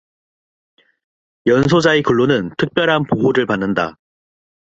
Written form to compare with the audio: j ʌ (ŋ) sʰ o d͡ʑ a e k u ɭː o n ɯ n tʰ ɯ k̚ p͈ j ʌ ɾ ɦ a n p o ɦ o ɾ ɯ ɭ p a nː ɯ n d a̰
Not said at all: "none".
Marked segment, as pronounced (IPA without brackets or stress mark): n